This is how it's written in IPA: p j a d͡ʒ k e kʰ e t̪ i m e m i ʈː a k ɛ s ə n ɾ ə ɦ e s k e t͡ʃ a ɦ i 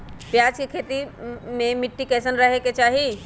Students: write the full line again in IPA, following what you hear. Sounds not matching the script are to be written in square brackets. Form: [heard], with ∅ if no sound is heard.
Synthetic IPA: p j a d͡ʒ k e kʰ e t̪ i m e m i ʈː [i] k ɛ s ə n ɾ ə ɦ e [∅] k e t͡ʃ a ɦ i